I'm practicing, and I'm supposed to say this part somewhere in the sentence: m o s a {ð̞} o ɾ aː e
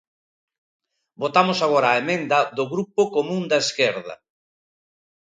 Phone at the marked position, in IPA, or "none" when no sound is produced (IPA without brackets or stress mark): ɣ̞